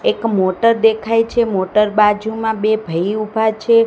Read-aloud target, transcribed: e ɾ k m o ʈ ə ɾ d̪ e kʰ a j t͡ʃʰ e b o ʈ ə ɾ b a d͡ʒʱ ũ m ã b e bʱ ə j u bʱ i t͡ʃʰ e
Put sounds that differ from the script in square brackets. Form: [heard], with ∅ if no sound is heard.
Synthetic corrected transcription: e [∅] k m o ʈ ə ɾ d̪ e kʰ a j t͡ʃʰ e [m] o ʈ ə ɾ b a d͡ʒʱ [u] m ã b e bʱ ə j u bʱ [a] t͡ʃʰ e